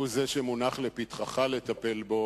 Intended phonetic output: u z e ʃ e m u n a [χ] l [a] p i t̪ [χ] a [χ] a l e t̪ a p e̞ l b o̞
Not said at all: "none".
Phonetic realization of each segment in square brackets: χ, e, χ, χ

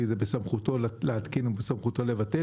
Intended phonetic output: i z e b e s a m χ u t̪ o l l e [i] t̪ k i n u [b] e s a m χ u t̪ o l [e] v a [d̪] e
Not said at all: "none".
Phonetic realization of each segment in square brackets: a, b, e, t̪

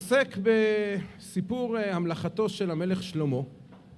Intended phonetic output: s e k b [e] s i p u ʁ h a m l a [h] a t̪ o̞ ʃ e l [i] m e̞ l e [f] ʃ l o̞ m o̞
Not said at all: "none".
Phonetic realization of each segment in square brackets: e, χ, a, χ

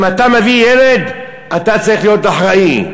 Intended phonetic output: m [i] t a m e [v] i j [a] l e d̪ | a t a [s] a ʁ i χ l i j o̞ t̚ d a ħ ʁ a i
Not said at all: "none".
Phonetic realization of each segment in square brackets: a, v, e, t͡s

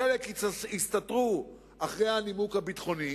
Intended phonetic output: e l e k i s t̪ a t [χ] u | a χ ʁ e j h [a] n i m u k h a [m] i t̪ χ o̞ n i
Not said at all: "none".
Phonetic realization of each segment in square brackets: ʁ, a, b

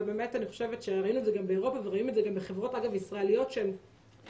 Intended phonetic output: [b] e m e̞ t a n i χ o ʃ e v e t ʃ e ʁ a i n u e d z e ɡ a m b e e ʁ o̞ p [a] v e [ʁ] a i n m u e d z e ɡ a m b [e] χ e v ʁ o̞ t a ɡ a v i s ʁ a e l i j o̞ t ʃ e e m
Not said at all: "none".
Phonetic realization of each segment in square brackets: b, a, ʁ, e

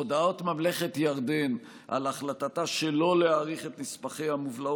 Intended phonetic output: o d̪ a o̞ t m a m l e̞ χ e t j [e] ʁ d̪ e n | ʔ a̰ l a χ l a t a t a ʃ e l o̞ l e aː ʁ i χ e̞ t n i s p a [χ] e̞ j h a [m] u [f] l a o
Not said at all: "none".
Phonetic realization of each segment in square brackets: a, χ, m, v

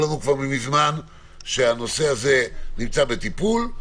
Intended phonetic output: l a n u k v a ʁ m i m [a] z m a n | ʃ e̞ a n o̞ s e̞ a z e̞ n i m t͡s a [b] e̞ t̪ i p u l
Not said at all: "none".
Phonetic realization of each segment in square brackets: i, b

